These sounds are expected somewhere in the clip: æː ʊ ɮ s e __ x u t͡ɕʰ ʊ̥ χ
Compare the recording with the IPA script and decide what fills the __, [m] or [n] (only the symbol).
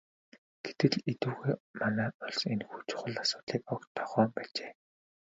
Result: n